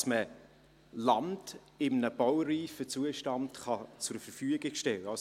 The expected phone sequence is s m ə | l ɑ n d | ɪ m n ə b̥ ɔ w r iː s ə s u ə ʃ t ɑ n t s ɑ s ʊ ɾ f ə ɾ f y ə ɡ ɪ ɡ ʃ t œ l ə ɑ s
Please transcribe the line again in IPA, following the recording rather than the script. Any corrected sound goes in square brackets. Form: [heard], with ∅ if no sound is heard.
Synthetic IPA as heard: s m ə | l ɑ n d | ɪ m n ə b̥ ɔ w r iː [f] ə [t͡s] u ə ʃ t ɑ n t [χ] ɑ [t͡s] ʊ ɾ f ə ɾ f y ə ɡ ɪ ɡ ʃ t [ɛ] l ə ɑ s